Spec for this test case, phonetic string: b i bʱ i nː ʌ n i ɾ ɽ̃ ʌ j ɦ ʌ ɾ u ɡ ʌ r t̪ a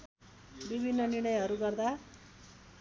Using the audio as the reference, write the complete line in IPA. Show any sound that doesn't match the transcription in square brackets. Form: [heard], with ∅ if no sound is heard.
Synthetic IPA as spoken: b i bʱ i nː ʌ n i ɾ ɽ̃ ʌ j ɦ ʌ ɾ u ɡ ʌ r [d̪] a

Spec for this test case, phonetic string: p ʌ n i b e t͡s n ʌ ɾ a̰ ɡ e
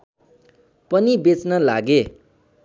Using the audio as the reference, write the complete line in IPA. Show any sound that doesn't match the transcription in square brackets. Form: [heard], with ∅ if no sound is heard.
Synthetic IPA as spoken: p ʌ n i b e t͡s n ʌ [l] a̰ ɡ e

